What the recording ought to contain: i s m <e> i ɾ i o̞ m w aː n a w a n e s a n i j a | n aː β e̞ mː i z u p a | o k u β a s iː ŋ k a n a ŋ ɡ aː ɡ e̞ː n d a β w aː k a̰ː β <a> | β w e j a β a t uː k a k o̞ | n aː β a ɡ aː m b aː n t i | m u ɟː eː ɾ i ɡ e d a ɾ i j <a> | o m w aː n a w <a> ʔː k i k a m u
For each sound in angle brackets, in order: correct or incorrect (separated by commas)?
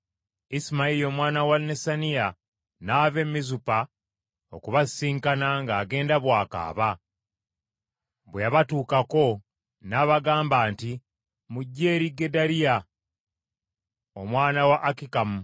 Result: incorrect, correct, correct, correct